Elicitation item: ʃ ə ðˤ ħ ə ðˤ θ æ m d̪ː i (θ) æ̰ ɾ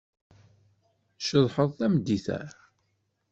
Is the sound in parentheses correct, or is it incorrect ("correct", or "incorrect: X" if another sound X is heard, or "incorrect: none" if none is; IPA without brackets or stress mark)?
correct